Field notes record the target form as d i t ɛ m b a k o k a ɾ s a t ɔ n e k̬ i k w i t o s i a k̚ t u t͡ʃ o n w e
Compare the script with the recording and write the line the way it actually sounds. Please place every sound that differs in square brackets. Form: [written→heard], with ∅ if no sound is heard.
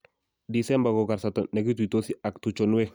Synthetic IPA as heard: d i [t→s] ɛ m b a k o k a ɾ s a t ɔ n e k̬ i [k→t] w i t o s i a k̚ t u t͡ʃ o n w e